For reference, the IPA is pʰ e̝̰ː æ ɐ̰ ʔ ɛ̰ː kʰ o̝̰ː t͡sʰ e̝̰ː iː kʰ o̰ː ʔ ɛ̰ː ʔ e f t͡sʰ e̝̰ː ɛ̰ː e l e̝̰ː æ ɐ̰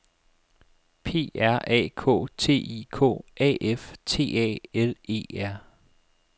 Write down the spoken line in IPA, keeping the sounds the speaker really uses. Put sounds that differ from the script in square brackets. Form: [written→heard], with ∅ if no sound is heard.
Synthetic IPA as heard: pʰ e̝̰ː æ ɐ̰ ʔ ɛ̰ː kʰ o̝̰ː t͡sʰ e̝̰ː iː kʰ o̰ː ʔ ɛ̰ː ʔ e f t͡sʰ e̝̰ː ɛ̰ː e l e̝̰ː æ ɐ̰